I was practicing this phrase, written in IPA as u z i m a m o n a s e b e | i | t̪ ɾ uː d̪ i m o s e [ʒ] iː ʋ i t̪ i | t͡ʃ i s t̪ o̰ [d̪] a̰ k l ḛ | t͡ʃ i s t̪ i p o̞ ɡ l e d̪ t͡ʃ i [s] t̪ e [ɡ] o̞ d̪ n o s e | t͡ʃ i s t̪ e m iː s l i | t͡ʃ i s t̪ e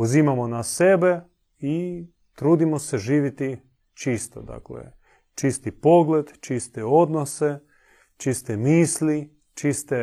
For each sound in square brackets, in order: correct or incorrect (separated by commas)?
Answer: correct, correct, correct, incorrect